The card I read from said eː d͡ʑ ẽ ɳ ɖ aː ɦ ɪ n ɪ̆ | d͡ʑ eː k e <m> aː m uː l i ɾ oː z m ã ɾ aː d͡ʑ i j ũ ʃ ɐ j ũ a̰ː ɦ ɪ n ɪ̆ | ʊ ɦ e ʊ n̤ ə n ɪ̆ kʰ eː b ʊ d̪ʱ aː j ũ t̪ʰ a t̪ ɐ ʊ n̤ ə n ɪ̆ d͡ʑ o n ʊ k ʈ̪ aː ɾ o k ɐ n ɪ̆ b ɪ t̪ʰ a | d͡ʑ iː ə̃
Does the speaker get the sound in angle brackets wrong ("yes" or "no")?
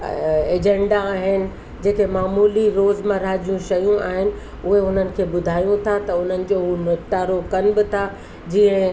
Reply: no